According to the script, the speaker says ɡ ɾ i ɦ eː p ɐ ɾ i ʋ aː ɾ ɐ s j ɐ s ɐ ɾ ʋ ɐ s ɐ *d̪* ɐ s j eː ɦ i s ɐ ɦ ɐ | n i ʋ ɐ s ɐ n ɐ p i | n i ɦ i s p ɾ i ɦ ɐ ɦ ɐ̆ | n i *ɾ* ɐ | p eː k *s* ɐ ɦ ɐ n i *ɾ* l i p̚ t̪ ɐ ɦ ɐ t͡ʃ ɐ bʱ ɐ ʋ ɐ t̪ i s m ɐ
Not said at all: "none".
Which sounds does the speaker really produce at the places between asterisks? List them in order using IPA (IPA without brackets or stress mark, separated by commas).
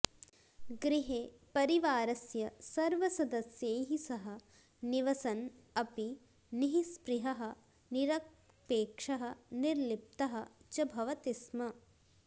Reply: d̪, ɾ, ʂ, ɾ